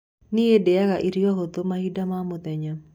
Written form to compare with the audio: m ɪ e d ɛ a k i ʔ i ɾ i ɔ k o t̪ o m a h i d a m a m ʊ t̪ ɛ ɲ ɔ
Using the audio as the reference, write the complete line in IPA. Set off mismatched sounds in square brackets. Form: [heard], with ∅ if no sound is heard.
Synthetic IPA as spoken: [n] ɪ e d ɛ a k [a] ʔ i ɾ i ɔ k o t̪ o m a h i d a m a m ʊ t̪ ɛ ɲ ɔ

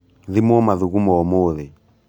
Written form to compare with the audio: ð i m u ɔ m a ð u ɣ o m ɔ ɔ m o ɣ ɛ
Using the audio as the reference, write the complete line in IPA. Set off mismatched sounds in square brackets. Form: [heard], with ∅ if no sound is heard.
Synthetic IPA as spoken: ð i m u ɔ m a ð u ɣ [u] m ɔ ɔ m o [ð] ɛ

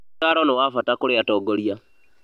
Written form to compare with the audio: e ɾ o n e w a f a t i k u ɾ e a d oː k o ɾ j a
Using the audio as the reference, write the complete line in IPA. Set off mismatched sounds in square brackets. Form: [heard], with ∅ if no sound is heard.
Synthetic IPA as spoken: [a] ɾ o n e w a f a t [a] k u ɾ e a [t] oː [ɡ] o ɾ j a

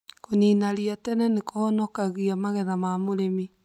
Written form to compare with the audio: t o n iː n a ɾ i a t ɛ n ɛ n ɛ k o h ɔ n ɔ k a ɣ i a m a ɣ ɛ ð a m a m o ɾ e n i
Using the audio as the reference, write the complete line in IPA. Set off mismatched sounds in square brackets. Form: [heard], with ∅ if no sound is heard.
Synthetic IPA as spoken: [k] o n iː n a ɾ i a t ɛ n ɛ n [e] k o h ɔ n ɔ k a ɣ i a m a ɣ ɛ ð a m a m o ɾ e [m] i

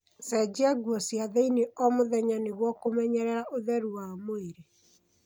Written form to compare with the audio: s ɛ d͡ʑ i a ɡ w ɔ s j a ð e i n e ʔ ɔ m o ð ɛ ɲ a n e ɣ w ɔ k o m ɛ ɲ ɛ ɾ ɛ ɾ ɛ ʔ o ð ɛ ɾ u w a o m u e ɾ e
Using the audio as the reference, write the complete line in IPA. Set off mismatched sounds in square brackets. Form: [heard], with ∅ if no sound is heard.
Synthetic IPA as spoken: s ɛ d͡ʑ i a ɡ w ɔ s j a ð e i n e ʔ ɔ m o ð ɛ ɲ a n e ɣ w ɔ k o m ɛ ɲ ɛ ɾ ɛ ɾ [a] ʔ o ð ɛ ɾ u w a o m [o] e ɾ e

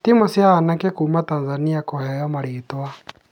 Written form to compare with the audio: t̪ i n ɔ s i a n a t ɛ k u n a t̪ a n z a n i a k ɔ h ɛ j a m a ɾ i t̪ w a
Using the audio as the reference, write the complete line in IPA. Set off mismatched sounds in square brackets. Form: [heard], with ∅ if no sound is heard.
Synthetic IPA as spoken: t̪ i [m] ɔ s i a n a [k] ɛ k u [m] a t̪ a n z a n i a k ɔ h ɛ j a m a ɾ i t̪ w a

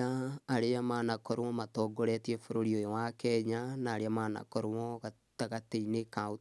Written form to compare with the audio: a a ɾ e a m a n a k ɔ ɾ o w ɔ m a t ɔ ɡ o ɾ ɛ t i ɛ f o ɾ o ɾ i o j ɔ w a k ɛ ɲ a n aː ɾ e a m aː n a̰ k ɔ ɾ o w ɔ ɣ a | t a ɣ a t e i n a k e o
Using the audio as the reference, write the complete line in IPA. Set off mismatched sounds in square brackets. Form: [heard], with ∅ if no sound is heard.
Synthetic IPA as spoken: a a ɾ e a m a n a k ɔ ɾ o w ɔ m a t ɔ ɡ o ɾ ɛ t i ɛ f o ɾ o ɾ i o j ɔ w a k ɛ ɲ a n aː ɾ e a m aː n a̰ k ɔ ɾ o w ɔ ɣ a | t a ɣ a t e i n [e] k [a] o

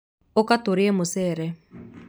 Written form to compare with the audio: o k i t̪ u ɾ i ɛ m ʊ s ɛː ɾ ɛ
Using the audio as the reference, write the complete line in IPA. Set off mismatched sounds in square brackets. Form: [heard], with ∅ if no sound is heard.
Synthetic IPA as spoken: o k [a] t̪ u ɾ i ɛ m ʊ s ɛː ɾ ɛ

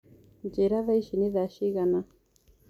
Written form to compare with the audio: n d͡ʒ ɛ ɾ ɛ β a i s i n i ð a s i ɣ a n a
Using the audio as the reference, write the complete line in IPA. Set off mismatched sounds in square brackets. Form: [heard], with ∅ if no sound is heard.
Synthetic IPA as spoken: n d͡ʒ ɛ ɾ [a] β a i [ʃ] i n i ð a [ʃ] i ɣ a n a

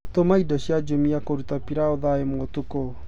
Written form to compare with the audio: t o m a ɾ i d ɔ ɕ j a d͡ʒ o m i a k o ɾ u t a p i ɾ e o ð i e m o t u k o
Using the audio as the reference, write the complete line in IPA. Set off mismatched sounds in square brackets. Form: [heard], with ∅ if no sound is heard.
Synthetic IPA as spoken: t o m a [∅] i d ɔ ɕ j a d͡ʒ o m i a k o ɾ u t a p i ɾ [a] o ð [a] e m o t u k o

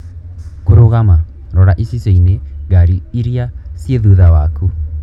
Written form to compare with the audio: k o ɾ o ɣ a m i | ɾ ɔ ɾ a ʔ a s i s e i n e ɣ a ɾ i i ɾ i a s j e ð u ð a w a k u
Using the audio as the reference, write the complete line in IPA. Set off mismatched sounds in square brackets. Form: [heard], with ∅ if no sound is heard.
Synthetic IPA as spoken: k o ɾ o ɣ a m [a] | ɾ ɔ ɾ a ʔ [i] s i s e i n e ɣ a ɾ i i ɾ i a s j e ð u ð a w a k u

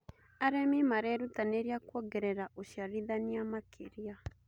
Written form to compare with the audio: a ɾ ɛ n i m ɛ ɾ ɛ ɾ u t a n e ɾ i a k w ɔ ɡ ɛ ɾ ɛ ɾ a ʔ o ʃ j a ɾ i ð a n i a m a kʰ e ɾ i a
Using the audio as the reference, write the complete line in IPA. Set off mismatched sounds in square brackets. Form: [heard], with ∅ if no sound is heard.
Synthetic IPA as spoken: a ɾ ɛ [m] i m [a] ɾ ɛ ɾ u t a n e ɾ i a k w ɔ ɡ ɛ ɾ ɛ ɾ a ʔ o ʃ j a ɾ i ð a n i a m a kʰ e ɾ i a

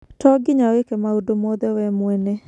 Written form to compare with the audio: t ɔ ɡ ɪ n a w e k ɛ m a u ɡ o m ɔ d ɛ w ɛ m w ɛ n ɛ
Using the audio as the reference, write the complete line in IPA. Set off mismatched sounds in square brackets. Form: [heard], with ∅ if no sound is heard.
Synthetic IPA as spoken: t ɔ ɡ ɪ [ɲ] a w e k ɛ m a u [d] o m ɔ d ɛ w ɛ m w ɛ n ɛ

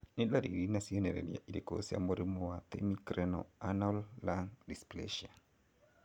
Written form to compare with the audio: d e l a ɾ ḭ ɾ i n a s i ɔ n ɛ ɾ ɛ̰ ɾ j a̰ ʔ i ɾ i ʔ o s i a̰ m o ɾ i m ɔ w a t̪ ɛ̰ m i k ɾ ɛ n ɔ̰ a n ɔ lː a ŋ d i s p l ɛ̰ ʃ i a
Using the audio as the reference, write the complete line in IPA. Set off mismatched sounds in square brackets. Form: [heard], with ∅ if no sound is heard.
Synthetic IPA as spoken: [n] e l a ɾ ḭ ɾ i n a s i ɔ n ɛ ɾ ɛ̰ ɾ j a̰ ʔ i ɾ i [k] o s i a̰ m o ɾ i m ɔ w a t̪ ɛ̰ m i k ɾ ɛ n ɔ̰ a n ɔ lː a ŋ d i s p l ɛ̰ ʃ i a

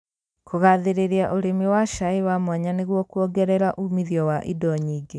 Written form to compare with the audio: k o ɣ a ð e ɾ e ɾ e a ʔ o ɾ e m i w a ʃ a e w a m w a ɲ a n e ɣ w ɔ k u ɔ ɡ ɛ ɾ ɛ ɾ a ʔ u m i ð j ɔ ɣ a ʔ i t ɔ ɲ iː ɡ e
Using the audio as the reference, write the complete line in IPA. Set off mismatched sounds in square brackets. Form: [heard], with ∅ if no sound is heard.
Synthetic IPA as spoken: k o ɣ a ð e ɾ e ɾ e a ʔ o ɾ e m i w a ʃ a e w a m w a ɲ a n e ɣ w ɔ k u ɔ ɡ ɛ ɾ ɛ ɾ a ʔ u m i ð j ɔ [w] a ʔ i [d] ɔ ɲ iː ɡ e

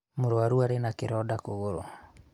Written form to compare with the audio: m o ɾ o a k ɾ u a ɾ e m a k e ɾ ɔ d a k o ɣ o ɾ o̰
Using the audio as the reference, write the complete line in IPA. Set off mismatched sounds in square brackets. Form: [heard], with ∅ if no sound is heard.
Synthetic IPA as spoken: m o ɾ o a [∅] ɾ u a ɾ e [n] a k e ɾ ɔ d a k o ɣ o ɾ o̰

